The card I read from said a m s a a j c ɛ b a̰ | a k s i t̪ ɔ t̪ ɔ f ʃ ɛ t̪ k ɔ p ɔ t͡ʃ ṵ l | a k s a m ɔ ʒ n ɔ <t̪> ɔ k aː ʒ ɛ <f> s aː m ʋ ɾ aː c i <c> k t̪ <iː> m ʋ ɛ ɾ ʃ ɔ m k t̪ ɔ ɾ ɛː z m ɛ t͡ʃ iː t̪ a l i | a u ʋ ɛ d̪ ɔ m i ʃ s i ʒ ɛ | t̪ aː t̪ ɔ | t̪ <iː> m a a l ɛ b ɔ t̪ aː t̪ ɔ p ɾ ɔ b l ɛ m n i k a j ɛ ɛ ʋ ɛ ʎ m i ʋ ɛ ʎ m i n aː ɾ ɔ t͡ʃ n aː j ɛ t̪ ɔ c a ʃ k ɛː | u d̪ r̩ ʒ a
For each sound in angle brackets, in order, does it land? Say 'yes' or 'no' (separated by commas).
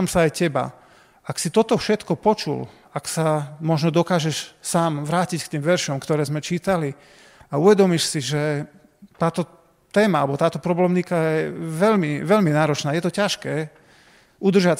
no, no, yes, yes, no